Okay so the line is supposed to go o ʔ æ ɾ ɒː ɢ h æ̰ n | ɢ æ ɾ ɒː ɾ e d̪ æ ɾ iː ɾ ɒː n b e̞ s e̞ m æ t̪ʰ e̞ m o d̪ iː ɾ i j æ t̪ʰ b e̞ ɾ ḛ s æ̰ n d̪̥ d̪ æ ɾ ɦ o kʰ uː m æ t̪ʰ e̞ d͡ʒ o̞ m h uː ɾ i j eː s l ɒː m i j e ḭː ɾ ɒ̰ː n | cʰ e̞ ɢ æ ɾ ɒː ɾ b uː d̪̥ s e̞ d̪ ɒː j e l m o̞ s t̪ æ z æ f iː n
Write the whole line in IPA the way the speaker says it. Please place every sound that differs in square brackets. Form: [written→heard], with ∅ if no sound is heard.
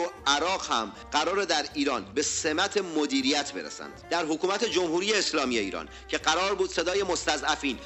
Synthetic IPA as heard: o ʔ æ ɾ ɒː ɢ h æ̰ [n→m] | ɢ æ ɾ ɒː ɾ e d̪ æ ɾ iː ɾ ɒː n b e̞ s e̞ m æ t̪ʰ e̞ m o d̪ iː ɾ i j æ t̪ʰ b e̞ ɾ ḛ s æ̰ n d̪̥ d̪ æ ɾ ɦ o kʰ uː m æ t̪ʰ e̞ d͡ʒ o̞ m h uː ɾ i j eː s l ɒː m i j e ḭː ɾ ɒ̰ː n | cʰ e̞ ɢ æ ɾ ɒː ɾ b uː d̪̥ s e̞ d̪ ɒː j e [l→∅] m o̞ s t̪ æ z æ f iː n